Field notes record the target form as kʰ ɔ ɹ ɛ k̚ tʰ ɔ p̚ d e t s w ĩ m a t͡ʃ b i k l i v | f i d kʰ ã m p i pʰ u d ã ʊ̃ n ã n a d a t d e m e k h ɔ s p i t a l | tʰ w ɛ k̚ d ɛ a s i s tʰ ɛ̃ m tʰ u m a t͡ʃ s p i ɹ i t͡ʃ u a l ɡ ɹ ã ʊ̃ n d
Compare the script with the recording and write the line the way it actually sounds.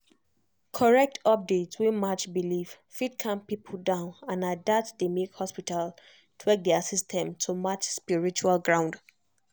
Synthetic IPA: kʰ ɔ ɹ ɛ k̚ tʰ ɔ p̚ d e t s w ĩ m a t͡ʃ b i l i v | f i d kʰ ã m p i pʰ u d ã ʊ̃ n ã n a d a t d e m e k h ɔ s p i t a l | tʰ w ɛ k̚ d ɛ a s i s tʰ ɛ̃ m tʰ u m a t͡ʃ s p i ɹ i t͡ʃ u a l ɡ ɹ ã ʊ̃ n d